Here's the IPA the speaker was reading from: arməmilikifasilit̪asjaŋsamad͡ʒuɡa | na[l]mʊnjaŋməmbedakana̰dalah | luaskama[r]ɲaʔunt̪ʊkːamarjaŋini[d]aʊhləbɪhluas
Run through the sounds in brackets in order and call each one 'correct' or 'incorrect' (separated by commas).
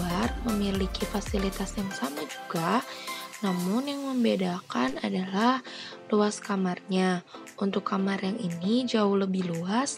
incorrect, correct, incorrect